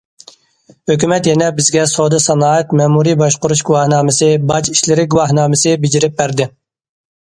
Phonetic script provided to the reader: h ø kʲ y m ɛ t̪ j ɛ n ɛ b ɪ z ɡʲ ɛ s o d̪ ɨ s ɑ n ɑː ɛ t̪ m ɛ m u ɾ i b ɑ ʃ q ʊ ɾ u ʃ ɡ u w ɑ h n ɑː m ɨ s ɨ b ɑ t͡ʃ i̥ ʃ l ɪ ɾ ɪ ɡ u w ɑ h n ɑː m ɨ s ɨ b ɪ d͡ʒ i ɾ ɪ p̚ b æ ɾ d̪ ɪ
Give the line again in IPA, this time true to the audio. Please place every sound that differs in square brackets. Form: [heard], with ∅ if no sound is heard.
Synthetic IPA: h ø kʲ y m ɛ t̪ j ɛ n ɛ b ɪ z ɡʲ ɛ s o d̪ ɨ s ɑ n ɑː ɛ t̪ m ɛ m u ɾ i b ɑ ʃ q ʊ ɾ u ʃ ɡ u w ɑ h n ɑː m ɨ s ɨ b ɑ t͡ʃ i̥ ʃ l ɪ ɾ ɪ ɡ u w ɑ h n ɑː m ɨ s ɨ b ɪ d͡ʒ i ɾ ɪ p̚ b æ ɾ d̪ ɪ